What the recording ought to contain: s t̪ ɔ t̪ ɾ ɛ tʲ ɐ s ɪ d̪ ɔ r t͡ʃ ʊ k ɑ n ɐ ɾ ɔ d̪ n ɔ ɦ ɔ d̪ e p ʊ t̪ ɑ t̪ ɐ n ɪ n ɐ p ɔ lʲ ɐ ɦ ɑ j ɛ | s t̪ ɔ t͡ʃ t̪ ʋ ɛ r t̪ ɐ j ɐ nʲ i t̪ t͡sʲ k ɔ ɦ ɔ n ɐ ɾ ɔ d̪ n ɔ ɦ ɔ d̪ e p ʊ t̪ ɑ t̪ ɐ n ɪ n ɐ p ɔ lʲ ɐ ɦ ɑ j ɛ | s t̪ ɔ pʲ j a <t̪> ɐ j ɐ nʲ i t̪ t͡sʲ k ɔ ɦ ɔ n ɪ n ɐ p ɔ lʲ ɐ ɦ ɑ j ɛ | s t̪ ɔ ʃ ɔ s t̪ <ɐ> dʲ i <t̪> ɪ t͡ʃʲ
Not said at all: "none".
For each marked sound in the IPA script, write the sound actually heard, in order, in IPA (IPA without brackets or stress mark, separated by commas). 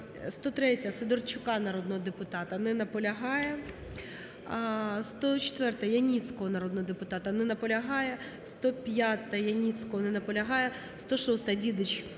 t̪, ɐ, d̪